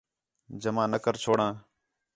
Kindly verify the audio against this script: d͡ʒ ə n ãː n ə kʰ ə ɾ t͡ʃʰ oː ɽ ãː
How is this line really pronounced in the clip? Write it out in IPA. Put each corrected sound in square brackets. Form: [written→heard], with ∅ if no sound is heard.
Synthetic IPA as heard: d͡ʒ ə [n→m] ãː n ə [kʰ→k] ə ɾ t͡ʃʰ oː ɽ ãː